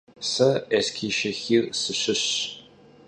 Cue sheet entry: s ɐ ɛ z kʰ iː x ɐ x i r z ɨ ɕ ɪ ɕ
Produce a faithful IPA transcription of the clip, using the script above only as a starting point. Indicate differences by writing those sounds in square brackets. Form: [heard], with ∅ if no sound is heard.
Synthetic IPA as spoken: s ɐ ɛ [s] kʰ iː [ʃ] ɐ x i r [s] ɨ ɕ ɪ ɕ